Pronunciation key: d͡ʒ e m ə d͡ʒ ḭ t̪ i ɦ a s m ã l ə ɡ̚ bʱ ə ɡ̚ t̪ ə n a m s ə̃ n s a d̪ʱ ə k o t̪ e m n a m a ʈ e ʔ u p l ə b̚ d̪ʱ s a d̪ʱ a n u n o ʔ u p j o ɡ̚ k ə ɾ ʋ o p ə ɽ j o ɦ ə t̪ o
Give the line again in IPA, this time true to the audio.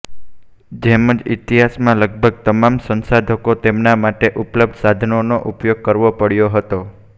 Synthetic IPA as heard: d͡ʒ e m ə d͡ʒ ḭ t̪ i ɦ a s m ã l ə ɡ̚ bʱ ə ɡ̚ t̪ ə m a m s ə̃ n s a d̪ʱ ə k o t̪ e m n a m a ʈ e ʔ u p l ə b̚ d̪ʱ s a d̪ʱ ə n o n o ʔ u p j o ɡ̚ k ə ɾ ʋ o p ə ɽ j o ɦ ə t̪ o